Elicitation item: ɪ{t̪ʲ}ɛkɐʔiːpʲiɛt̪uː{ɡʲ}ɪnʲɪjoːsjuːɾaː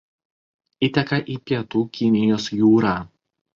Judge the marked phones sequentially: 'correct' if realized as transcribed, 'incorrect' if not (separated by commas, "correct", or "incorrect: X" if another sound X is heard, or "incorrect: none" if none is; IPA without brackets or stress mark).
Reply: correct, incorrect: kʲ